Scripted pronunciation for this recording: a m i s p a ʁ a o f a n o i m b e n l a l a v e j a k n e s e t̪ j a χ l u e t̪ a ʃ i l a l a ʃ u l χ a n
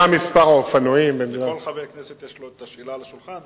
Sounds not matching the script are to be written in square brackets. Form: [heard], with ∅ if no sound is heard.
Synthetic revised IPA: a m i s p a ʁ a o f a n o i m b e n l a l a v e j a k n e s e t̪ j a [ʃ] l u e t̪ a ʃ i l a l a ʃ u l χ a n